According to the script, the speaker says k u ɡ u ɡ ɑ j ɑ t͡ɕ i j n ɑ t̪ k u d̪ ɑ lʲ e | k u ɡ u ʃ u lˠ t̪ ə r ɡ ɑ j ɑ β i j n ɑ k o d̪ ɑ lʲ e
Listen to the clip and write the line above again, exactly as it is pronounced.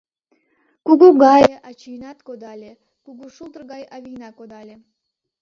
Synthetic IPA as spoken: k u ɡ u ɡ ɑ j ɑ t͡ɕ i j n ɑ t̪ k o d̪ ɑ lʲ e | k u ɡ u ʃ u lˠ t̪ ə r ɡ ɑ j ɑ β i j n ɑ k o d̪ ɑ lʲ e